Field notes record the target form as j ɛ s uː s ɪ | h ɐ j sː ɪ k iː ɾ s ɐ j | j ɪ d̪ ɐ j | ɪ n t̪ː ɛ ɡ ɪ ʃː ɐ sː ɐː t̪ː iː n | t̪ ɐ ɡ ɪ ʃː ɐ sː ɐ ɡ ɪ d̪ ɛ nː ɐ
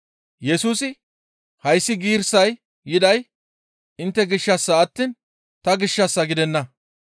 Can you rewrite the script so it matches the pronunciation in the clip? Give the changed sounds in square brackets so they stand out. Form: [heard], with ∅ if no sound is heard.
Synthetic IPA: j ɛ s uː s ɪ | h ɐ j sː ɪ [ɡ] iː ɾ s ɐ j | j ɪ d̪ ɐ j | ɪ n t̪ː ɛ ɡ ɪ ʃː ɐ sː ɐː t̪ː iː n | t̪ ɐ ɡ ɪ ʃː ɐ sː ɐ ɡ ɪ d̪ ɛ nː ɐ